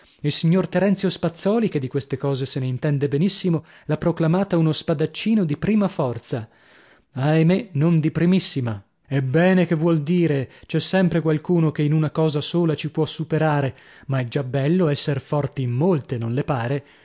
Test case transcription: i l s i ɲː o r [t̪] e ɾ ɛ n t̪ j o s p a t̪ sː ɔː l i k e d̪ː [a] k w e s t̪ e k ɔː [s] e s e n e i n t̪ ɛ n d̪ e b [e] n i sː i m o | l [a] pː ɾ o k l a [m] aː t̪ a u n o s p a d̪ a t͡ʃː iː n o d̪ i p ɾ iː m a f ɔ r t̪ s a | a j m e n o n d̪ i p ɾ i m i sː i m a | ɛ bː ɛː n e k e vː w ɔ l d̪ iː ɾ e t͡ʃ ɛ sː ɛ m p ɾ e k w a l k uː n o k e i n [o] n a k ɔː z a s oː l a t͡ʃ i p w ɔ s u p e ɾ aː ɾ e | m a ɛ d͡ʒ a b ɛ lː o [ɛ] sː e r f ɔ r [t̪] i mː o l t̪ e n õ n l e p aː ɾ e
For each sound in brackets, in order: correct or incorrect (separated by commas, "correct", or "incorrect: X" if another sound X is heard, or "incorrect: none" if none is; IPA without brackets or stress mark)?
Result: correct, incorrect: i, incorrect: z, correct, correct, correct, incorrect: u, correct, correct